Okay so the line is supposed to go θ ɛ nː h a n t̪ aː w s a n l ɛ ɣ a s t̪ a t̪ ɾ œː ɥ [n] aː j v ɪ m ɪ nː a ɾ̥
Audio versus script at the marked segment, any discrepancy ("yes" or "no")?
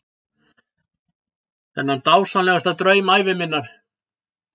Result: yes